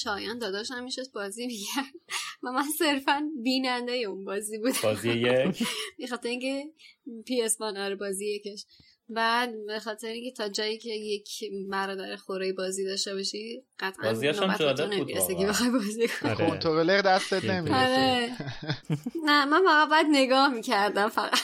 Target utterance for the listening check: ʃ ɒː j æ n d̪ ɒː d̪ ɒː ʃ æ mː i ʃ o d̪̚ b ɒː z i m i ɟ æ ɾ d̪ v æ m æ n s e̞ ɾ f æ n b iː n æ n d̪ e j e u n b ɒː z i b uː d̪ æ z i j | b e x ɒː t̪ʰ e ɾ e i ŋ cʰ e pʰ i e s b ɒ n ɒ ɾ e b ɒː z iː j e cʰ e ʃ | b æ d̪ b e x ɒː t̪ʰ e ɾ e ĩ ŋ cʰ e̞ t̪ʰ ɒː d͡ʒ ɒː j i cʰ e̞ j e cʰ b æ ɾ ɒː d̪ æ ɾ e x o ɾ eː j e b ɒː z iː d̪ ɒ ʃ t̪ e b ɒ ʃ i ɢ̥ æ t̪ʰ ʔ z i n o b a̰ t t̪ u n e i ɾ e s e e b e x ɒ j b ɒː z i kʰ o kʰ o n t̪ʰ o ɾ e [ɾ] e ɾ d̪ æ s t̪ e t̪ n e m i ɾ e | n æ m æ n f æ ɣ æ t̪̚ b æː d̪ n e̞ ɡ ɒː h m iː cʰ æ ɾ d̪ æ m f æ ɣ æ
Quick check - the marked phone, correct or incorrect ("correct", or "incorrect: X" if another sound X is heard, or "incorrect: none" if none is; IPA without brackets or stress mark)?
incorrect: l